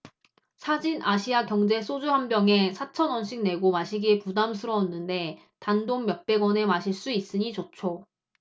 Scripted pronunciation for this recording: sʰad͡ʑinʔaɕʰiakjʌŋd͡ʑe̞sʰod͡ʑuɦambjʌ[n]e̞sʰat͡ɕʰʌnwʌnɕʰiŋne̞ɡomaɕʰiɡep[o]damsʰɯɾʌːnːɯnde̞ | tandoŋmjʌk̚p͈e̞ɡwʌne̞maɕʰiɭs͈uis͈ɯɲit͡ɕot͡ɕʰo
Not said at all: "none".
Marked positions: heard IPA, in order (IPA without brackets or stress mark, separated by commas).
ŋ, u